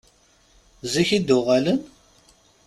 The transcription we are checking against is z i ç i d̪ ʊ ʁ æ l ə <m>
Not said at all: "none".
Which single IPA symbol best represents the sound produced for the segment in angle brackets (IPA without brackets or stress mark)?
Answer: n